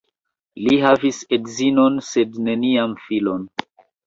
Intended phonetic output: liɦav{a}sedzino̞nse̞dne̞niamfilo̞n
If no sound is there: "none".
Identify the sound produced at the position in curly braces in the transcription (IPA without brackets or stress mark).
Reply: i